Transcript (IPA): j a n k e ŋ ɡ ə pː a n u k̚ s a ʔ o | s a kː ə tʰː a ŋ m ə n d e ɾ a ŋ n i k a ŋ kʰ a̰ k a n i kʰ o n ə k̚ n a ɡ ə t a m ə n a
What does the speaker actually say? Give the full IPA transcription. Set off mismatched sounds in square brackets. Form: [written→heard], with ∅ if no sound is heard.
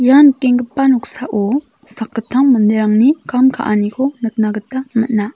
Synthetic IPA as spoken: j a n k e ŋ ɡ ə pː a n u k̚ s a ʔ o | s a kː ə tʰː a ŋ m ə n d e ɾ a ŋ n i k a [ŋ→m] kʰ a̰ [k→ʔ] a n i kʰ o n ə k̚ n a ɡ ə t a m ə n a

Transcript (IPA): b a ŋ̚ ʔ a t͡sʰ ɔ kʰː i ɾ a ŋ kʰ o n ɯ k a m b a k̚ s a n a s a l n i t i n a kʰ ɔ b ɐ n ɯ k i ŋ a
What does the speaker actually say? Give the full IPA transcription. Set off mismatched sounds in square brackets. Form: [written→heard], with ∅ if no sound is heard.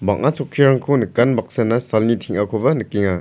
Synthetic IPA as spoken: b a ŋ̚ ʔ a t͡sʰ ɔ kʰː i ɾ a ŋ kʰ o n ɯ k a [m→n] b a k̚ s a n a s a l n i [t→tʰ] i [n→ŋ] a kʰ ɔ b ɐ n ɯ k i ŋ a

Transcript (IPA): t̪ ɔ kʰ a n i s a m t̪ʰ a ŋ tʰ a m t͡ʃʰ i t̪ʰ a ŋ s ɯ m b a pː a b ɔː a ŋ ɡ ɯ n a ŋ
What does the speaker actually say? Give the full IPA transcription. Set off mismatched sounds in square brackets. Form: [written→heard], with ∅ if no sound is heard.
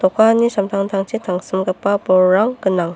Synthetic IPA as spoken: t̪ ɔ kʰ a n i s a m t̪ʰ a ŋ tʰ a [m→ŋ] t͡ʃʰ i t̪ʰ a ŋ s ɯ m [b→ɡ] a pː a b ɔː a ŋ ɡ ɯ n a ŋ

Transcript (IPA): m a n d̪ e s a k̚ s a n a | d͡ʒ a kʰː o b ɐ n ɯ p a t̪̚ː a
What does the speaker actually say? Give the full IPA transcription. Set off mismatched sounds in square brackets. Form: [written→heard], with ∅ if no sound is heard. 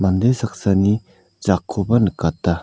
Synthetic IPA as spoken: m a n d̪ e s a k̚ s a n [a→i] | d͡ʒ a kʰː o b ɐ n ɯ [p→k] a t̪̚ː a

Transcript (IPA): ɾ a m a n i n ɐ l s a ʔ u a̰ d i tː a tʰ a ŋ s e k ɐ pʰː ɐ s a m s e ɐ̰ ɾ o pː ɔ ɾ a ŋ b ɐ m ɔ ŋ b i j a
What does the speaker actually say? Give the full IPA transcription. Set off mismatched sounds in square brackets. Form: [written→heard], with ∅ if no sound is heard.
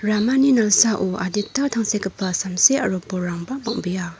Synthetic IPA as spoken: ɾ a m a n i n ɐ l s a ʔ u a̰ d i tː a tʰ a ŋ s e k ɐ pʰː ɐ s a m s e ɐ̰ ɾ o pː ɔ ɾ a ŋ b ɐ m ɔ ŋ b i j a

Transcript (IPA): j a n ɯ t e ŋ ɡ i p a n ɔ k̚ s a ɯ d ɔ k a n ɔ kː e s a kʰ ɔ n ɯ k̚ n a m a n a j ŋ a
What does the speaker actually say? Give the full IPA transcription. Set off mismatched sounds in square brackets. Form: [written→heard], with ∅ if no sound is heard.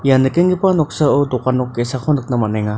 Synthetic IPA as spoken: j a n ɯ [t→k] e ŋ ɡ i p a n ɔ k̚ s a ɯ d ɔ k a n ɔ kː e s a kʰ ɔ n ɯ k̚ n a m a n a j ŋ a

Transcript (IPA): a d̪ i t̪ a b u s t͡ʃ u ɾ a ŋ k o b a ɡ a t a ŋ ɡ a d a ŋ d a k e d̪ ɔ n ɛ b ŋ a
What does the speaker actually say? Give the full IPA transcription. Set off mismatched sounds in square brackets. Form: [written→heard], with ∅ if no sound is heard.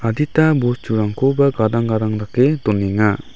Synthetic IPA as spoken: a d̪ i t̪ a b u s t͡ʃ u ɾ a ŋ k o b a ɡ a [t→d] a ŋ ɡ a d a ŋ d a k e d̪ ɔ n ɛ [b→∅] ŋ a

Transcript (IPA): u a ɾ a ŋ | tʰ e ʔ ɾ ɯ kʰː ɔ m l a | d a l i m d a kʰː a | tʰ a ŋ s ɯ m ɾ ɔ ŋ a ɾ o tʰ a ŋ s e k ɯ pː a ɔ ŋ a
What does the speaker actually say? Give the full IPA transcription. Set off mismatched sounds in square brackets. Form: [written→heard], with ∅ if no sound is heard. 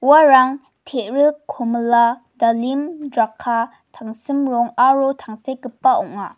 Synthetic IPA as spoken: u a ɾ a ŋ | tʰ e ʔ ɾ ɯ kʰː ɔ m l a | d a l i m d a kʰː a | tʰ a ŋ s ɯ m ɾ ɔ ŋ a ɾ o tʰ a ŋ s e k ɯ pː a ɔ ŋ a

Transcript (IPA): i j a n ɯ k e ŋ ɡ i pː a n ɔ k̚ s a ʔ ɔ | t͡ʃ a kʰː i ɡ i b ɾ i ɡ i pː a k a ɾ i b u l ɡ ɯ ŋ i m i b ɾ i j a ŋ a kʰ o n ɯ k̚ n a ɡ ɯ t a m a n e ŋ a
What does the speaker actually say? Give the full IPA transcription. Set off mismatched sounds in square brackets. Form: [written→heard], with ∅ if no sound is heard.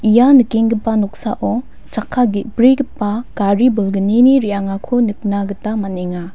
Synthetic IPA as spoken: i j a n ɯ k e ŋ ɡ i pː a n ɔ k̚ s a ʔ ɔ | t͡ʃ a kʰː [i→a] ɡ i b ɾ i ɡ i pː a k a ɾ i b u l ɡ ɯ [ŋ→n] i [m→n] i [b→∅] ɾ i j a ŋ a kʰ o n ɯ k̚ n a ɡ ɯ t a m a n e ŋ a

